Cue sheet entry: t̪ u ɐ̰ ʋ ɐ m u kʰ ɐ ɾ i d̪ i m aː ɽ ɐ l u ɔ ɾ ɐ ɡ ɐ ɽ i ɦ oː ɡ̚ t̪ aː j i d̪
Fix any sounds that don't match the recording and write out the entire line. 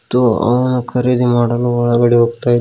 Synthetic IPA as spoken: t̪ u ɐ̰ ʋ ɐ n u kʰ ɐ ɾ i d̪ i m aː ɽ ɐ l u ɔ ɭ ɐ ɡ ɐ ɽ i ɦ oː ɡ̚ t̪ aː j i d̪